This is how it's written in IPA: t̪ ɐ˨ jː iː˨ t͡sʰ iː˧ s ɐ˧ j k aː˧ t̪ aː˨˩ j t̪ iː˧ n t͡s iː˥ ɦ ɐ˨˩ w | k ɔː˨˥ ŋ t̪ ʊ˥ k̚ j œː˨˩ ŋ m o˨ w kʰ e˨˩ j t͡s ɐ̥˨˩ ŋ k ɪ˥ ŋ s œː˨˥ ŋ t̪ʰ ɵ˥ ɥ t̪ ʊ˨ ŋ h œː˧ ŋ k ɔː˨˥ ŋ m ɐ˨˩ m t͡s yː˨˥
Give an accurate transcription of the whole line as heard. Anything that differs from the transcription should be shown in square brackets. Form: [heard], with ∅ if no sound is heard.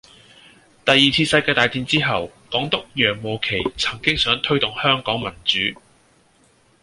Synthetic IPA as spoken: t̪ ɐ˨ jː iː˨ t͡sʰ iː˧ s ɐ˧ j k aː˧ t̪ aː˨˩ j t̪ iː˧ n t͡s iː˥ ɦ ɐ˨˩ w | k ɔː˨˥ ŋ t̪ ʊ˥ k̚ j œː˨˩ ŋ m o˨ w kʰ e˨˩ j [t͡sʰ] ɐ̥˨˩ ŋ k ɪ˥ ŋ s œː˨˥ ŋ t̪ʰ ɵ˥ ɥ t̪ ʊ˨ ŋ h [œː˥] ŋ k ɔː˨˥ ŋ m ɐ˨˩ [n] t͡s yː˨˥